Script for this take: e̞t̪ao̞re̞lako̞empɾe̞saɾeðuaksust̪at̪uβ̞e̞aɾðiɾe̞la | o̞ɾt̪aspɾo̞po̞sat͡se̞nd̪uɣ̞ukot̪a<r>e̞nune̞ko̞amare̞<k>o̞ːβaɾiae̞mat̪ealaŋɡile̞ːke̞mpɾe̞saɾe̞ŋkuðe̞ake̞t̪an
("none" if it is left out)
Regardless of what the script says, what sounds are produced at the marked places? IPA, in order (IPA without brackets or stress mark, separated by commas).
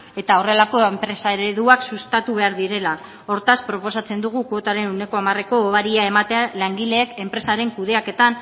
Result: ɾ, k